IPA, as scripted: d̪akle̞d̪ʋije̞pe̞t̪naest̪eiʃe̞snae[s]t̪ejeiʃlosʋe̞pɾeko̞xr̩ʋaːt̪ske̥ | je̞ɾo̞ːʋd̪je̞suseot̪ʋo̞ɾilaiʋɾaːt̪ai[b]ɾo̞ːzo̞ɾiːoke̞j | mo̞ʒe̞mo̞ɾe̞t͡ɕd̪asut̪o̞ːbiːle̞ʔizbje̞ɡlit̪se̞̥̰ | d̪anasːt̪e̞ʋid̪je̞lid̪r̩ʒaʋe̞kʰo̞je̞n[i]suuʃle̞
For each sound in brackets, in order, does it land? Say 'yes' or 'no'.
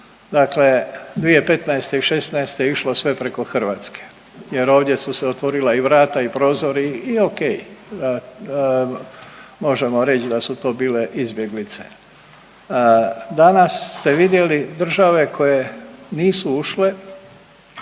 yes, no, no

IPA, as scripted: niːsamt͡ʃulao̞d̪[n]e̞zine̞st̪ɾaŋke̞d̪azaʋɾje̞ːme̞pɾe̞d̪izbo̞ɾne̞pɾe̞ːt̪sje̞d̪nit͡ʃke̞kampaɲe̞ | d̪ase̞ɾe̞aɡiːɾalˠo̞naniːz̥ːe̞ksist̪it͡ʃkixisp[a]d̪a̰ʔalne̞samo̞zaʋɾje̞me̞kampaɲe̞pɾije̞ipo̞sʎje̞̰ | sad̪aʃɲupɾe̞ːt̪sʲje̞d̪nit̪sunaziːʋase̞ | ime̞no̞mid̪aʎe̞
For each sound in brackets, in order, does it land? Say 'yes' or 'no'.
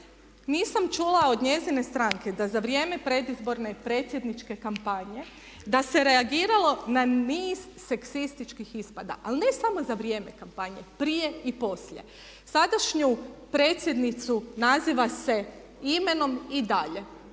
no, yes

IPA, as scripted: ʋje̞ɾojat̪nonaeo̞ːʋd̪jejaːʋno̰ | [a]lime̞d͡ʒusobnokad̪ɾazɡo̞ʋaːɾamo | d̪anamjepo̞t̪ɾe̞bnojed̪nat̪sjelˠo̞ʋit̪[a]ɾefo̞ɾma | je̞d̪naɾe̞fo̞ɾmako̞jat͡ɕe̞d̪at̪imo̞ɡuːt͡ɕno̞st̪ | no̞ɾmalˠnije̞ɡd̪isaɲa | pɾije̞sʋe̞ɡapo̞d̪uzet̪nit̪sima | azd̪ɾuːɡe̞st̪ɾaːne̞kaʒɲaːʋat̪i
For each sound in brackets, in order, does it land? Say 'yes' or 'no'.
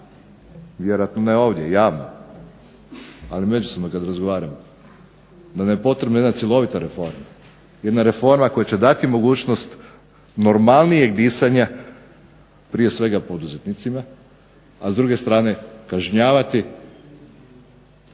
yes, yes

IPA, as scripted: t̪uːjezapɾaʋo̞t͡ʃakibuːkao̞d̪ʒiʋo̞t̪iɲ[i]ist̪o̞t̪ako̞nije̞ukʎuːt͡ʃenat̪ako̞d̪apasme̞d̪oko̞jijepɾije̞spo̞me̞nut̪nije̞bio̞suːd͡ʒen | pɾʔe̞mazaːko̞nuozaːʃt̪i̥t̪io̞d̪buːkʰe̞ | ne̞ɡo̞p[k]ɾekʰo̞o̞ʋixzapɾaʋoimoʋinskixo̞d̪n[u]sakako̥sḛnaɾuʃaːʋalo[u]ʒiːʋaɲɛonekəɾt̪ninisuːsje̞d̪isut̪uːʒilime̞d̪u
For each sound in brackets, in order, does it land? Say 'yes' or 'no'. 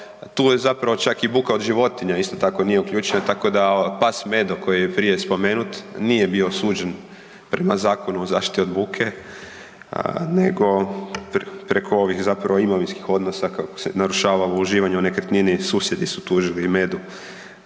no, no, no, yes

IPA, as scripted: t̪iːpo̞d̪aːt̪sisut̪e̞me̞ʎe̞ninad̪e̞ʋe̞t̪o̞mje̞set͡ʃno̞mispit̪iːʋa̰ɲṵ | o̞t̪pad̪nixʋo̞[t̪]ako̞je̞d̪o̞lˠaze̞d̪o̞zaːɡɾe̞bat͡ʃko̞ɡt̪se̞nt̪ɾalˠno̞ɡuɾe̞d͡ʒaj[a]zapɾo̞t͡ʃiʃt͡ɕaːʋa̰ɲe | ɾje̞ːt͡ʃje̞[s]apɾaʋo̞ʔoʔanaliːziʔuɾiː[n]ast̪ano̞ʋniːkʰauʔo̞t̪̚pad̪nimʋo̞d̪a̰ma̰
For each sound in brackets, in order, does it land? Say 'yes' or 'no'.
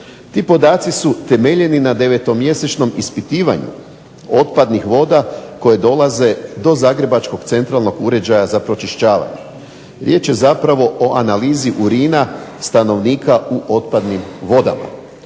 no, yes, no, yes

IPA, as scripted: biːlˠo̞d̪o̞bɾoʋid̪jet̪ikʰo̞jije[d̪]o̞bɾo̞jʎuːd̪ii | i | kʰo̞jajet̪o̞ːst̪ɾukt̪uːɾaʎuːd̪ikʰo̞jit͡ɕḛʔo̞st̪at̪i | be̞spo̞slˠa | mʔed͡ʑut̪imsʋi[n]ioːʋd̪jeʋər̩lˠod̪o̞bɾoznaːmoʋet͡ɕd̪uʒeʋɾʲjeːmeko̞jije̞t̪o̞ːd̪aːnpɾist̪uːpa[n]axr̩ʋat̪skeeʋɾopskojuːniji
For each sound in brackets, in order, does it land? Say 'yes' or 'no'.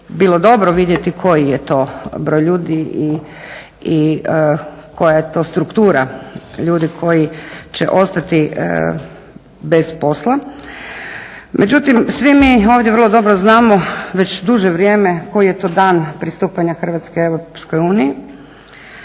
no, no, no

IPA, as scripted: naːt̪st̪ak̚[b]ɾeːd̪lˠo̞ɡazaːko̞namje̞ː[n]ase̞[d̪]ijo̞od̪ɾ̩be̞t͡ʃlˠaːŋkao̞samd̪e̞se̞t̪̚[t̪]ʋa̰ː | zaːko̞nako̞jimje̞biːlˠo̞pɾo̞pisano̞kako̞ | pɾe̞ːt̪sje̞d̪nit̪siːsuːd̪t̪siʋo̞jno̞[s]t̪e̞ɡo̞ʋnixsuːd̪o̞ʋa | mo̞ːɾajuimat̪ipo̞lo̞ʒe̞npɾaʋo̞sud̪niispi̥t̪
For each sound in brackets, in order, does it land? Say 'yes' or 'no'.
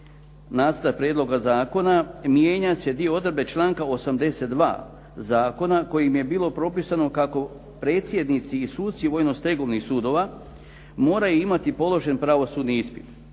no, no, yes, no, yes

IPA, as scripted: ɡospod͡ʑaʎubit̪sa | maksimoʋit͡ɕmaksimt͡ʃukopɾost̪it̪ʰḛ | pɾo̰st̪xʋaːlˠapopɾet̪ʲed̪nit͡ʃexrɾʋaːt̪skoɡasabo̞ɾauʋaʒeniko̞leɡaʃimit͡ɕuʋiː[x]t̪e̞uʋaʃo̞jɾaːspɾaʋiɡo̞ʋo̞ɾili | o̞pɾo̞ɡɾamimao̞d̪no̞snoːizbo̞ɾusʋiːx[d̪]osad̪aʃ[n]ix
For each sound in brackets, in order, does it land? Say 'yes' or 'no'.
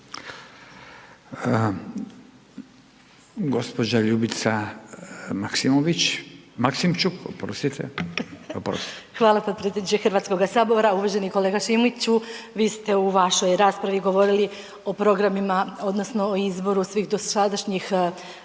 no, yes, no

